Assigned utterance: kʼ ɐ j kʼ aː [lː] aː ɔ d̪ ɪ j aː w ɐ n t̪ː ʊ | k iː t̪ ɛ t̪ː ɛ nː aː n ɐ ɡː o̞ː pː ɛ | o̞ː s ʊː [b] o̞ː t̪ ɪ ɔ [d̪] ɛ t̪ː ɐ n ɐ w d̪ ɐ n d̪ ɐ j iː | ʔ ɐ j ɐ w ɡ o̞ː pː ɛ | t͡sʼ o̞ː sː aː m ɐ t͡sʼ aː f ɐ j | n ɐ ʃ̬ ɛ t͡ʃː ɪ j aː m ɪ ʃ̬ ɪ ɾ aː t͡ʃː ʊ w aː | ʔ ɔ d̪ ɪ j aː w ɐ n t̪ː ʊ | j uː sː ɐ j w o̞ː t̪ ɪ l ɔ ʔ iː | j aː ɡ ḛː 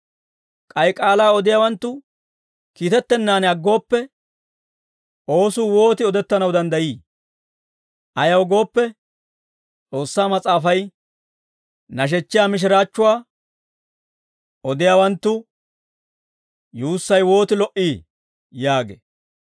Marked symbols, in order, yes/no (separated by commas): no, no, yes